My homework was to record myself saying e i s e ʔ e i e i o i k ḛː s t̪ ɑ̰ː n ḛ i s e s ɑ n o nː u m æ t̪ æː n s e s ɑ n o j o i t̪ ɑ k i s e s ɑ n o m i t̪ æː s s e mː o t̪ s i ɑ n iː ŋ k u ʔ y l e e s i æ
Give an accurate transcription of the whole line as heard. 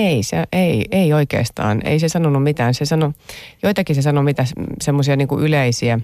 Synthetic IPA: e i s e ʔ e i e i o i k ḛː s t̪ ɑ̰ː n ḛ i s e s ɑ n o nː u m i t̪ æː n s e s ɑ n o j o i t̪ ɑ k i s e s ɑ n o m i t̪ æ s s e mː o s i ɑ n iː ŋ k u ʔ y l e i s i æ